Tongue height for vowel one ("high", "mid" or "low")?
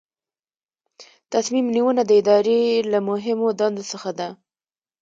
low